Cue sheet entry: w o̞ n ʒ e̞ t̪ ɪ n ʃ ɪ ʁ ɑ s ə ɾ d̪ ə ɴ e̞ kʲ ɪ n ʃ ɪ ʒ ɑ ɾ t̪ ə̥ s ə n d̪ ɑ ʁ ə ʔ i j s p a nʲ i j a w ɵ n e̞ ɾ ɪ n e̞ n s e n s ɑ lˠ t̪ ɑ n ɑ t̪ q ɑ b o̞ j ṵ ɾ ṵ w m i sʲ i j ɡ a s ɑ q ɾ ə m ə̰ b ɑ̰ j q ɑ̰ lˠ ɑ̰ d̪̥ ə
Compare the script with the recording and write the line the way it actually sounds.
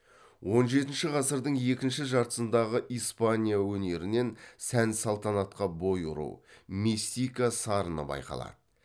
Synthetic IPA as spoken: w o̞ n ʒ e̞ t̪ ɪ n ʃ ɪ ʁ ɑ s ə ɾ d̪ ə ɴ e̞ kʲ ɪ n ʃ ɪ ʒ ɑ ɾ t̪ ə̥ s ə n d̪ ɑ ʁ ə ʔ i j s p a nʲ i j a w ɵ n e̞ ɾ ɪ n e̞ n s æ n s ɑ lˠ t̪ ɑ n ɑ t̪ q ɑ b o̞ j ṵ ɾ ṵ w m i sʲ i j k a s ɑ ɾ ə n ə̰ b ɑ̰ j q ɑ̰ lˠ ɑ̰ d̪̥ ə